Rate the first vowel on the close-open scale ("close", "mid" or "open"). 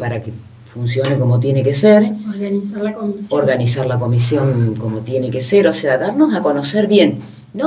open